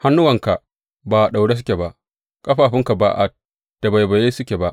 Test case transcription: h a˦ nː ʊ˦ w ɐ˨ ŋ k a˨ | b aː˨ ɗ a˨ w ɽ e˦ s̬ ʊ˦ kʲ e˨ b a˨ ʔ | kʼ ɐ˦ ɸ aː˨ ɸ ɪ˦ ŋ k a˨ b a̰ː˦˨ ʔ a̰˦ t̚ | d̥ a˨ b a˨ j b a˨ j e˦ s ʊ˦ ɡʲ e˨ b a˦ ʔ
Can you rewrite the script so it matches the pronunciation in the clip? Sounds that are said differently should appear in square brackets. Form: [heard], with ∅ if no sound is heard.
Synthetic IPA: h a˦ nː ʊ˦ w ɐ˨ ŋ k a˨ | b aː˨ ɗ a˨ w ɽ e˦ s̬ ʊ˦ kʲ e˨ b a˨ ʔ | kʼ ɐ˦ ɸ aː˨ ɸ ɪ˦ ŋ k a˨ b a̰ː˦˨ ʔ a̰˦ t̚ | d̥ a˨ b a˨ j b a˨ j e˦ s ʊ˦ [kʲ] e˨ b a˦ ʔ